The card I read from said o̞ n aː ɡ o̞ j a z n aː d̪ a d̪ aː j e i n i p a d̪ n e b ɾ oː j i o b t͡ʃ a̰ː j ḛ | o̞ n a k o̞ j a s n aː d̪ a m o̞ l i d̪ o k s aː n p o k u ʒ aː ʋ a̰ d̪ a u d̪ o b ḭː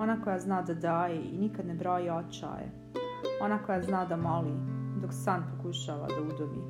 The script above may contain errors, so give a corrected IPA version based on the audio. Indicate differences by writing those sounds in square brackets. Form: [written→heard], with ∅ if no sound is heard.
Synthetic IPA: o̞ n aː [ɡ→k] o̞ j a z n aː d̪ a d̪ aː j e i n i [p→k] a d̪ n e b ɾ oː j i o [b→∅] t͡ʃ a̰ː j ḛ | o̞ n a k o̞ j a [s→z] n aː d̪ a m o̞ l i d̪ o k s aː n p o k u [ʒ→ʃ] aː ʋ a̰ d̪ a u d̪ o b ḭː